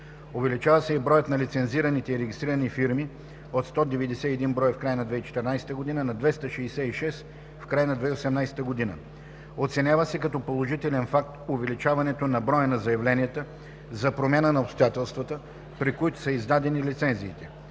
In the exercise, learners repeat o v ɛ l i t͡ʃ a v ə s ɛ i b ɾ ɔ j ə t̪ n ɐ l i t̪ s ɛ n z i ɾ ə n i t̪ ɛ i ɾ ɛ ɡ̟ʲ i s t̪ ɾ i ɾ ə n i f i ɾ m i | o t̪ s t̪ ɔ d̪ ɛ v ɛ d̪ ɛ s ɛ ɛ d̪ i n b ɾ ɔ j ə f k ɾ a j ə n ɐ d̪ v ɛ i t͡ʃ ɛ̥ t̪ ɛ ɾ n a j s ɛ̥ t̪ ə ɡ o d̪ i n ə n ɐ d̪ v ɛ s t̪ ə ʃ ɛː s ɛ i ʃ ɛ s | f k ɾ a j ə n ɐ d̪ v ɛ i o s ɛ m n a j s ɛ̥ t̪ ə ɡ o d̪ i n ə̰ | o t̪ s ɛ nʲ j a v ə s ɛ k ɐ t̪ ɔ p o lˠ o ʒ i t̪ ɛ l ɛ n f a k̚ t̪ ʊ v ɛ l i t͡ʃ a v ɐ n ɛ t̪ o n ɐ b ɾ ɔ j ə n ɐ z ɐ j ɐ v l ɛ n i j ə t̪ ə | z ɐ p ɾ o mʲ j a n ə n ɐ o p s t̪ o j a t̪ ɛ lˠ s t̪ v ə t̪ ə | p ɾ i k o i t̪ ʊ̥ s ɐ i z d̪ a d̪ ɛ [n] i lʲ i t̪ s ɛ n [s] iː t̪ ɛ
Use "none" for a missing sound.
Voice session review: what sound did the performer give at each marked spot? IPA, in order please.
n, z

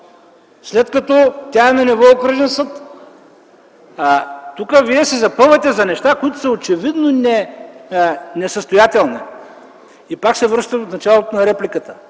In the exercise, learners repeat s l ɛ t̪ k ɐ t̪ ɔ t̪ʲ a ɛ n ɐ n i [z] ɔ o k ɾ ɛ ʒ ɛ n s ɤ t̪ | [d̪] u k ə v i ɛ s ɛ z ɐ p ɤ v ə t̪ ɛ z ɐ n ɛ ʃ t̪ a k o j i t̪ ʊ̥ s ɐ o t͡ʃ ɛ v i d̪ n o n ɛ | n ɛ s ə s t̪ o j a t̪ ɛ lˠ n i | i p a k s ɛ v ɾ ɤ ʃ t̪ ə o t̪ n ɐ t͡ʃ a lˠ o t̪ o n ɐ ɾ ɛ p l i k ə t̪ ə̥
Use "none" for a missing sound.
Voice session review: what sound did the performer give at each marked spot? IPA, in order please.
v, t̪

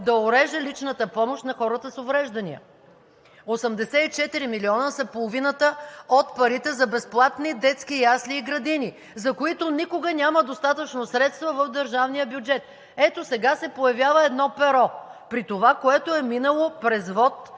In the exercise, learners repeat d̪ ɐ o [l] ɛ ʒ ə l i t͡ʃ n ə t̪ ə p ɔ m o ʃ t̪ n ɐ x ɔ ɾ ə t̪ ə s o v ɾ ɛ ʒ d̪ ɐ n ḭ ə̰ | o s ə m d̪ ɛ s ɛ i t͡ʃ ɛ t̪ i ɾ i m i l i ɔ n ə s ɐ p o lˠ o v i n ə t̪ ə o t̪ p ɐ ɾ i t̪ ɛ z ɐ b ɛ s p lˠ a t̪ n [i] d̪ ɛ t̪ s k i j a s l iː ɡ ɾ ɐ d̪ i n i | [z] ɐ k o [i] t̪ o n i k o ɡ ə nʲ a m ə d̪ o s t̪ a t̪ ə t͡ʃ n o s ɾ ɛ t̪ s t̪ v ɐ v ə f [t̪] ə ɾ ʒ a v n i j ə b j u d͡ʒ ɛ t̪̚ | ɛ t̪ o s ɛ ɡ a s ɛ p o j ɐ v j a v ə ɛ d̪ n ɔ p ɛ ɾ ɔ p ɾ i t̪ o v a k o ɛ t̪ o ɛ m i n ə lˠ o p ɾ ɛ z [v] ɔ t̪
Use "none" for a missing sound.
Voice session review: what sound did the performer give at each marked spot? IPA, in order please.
ɾ, i, z, i, d̪, v

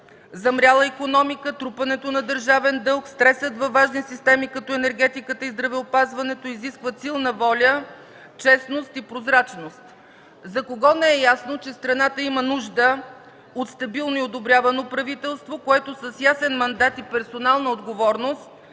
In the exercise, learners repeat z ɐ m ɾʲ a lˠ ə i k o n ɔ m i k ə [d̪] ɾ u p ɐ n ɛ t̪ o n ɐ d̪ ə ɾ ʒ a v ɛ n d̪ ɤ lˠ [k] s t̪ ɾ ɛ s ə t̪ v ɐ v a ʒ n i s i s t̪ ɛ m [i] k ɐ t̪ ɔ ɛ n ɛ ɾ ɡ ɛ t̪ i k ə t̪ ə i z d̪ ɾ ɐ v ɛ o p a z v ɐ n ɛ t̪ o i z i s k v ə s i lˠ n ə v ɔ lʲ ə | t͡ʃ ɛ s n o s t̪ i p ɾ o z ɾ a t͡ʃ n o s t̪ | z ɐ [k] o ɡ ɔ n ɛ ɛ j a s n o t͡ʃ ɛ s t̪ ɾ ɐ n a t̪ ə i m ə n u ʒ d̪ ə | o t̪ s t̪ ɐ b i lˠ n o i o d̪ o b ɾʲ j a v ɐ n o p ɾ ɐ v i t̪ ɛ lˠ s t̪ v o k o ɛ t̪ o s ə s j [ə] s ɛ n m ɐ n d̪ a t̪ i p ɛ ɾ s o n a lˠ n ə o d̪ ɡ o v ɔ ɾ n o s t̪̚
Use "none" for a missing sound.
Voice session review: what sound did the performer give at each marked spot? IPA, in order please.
t̪, k, i, k, a

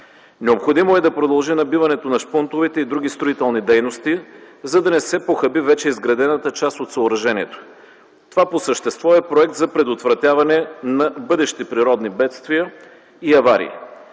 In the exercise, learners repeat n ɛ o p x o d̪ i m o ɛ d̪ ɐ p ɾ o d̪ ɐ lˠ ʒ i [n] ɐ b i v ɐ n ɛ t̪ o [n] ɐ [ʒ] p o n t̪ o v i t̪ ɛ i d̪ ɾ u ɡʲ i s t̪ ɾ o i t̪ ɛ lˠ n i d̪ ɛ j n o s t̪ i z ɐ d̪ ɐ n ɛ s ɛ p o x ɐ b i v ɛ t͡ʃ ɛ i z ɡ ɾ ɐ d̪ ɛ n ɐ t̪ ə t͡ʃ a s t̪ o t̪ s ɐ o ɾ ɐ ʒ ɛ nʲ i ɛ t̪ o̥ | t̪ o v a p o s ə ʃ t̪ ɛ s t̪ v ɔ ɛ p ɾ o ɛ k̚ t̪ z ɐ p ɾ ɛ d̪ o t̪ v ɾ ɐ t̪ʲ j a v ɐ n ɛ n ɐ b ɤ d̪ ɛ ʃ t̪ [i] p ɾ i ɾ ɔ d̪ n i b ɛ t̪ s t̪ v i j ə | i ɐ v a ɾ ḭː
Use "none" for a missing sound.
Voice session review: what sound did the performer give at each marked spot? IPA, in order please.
n, n, ʃ, i

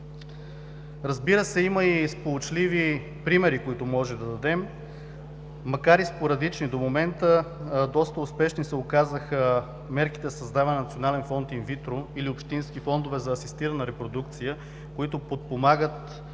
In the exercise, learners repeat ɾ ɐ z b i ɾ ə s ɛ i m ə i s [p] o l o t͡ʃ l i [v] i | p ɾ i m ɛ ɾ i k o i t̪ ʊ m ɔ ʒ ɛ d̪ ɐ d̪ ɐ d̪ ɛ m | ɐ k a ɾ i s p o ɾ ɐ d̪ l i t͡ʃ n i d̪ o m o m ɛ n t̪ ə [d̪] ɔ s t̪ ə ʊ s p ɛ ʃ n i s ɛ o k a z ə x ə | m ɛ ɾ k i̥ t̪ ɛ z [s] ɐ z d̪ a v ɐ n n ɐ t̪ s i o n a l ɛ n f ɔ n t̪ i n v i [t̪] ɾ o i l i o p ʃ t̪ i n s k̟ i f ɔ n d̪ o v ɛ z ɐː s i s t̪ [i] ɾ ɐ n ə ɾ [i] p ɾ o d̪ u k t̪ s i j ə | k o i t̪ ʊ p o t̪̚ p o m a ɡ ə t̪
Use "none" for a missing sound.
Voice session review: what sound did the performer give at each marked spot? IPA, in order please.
p, v, d̪, s, t̪, i, ɛ

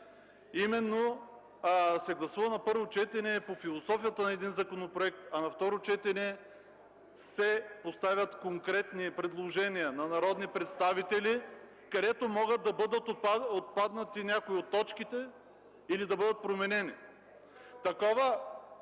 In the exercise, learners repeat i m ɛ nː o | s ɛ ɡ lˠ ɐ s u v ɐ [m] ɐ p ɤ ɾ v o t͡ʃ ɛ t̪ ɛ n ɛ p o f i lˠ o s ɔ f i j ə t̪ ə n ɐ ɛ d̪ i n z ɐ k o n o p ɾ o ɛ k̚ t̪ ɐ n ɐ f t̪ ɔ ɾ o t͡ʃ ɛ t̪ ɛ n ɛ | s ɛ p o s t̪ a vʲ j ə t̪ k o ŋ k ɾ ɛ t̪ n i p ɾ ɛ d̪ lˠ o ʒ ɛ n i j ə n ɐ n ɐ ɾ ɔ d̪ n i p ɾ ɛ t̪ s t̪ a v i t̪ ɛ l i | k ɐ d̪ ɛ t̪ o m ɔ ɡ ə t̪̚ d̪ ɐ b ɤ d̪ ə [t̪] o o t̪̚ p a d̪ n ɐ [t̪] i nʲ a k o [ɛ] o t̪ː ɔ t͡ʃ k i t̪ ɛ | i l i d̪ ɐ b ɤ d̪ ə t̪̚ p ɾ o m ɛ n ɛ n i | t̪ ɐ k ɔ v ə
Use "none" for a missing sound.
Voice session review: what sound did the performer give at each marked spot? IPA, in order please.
n, t̪, t̪, i

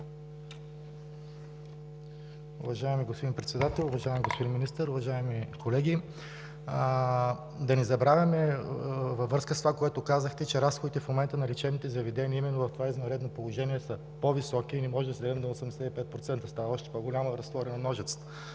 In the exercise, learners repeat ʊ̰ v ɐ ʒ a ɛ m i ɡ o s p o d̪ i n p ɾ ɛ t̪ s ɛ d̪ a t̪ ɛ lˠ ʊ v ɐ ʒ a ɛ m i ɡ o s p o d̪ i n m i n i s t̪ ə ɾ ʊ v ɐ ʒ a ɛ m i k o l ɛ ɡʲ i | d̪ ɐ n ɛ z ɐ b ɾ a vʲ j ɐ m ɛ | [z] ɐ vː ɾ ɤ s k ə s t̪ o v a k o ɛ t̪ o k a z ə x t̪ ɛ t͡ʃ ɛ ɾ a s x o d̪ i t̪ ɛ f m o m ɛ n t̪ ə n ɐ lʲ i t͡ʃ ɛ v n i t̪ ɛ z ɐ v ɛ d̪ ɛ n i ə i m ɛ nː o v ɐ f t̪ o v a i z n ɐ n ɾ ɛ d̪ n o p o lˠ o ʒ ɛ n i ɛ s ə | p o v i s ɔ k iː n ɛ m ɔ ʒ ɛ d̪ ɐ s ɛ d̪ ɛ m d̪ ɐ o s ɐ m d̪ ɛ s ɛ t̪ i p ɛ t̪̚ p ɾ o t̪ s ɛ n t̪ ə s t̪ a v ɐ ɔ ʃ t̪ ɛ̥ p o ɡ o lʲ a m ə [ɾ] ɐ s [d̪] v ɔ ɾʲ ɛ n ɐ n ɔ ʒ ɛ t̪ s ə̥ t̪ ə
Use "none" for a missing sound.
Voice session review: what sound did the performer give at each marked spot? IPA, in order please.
v, ɾ, t̪

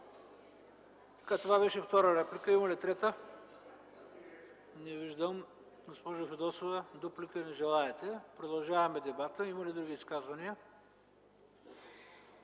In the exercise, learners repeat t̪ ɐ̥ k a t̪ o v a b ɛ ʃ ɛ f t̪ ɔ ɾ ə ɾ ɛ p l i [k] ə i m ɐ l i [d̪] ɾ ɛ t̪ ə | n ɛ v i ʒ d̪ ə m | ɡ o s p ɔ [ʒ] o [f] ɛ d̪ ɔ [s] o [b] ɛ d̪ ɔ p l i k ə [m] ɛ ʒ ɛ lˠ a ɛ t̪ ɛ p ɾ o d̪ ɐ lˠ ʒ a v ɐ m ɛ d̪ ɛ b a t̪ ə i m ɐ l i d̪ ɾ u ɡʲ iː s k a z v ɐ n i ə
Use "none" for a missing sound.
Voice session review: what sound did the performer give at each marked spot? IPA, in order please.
k, t̪, ʒ, f, s, v, n

